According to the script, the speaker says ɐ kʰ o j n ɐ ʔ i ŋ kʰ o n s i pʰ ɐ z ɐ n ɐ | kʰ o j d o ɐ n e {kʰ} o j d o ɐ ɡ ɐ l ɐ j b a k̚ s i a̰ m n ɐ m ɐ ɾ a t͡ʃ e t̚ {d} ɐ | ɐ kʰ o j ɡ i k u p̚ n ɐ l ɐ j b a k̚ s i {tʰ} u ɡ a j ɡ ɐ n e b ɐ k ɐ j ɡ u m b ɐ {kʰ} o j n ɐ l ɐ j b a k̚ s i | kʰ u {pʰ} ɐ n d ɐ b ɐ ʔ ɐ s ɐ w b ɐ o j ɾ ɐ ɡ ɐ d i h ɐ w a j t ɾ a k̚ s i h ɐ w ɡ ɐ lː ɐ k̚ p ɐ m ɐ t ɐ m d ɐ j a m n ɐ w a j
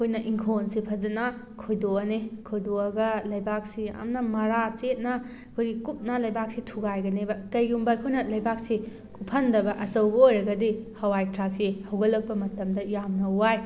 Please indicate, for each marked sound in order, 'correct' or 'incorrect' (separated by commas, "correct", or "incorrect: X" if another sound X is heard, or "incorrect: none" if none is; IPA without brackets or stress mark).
correct, incorrect: n, correct, correct, correct